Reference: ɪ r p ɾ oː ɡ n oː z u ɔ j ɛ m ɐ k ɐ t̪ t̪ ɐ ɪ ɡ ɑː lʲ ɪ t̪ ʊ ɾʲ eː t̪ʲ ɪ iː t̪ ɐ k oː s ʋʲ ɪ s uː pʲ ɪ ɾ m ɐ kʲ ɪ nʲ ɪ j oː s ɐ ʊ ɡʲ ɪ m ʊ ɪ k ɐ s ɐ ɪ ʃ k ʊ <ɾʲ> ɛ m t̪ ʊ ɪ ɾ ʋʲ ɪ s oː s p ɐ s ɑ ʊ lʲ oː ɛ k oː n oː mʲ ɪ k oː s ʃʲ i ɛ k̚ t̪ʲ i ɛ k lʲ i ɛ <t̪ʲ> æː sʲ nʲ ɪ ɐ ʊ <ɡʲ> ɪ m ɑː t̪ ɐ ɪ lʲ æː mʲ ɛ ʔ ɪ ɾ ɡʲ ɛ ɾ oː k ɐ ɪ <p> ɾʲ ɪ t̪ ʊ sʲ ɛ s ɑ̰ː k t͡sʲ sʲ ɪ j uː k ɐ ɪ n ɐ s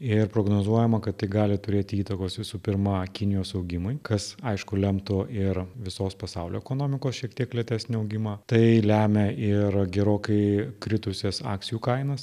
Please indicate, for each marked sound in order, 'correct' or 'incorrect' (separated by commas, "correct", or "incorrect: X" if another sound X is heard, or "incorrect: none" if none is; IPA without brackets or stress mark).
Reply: incorrect: lʲ, correct, correct, incorrect: k